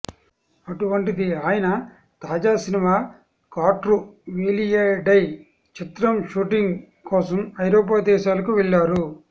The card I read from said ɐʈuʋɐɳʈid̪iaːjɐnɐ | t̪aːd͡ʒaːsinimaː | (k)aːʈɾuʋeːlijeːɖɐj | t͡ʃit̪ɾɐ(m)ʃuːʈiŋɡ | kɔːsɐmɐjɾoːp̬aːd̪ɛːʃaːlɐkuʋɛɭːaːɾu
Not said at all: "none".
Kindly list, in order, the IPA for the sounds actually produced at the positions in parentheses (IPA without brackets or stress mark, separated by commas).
k, m